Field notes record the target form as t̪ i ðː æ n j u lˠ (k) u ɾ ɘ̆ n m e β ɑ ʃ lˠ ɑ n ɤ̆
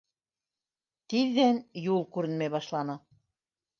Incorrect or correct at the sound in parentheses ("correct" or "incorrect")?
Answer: correct